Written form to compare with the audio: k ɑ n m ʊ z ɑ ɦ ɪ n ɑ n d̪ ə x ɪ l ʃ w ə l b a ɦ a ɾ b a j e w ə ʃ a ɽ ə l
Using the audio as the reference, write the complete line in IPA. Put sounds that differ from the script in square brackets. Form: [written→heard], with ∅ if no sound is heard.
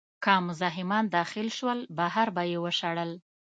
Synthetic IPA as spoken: k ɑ [n→∅] m ʊ z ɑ ɦ ɪ [n→m] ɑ n d̪ [ə→ɑ] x ɪ l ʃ w ə l b a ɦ a ɾ b a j e w ə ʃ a ɽ ə l